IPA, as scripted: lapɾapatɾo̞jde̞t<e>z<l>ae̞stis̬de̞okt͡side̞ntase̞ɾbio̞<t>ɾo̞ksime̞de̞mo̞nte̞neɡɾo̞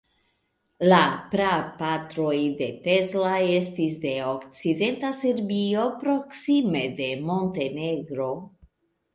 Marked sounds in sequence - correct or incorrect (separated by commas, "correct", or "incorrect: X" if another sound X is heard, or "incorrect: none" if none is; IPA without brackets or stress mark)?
correct, correct, incorrect: p